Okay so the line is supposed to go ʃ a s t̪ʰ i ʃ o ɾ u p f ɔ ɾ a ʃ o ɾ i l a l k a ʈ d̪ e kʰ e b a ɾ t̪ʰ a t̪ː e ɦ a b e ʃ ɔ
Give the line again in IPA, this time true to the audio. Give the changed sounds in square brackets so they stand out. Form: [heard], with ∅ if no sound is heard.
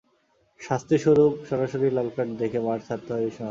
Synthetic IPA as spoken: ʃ a s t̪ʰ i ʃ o ɾ u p [ʃ] ɔ ɾ a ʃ o ɾ i l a l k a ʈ d̪ e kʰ e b a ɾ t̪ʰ a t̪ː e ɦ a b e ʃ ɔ